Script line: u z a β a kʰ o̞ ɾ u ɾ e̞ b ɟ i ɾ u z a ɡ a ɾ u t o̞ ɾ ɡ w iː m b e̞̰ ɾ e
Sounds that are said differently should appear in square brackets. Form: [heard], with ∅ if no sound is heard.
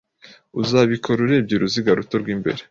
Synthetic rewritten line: u z a β [i] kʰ o̞ ɾ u ɾ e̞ b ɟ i ɾ u z [i] ɡ a ɾ u t o̞ ɾ ɡ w iː m b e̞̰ ɾ e